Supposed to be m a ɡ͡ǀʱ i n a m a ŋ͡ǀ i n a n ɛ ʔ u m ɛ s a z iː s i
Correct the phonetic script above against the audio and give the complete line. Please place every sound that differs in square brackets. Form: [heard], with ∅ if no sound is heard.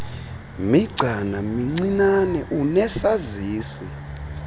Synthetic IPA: m [i] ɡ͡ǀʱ [a] n a m [i] ŋ͡ǀ i n a n ɛ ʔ u [n] ɛ s a z iː s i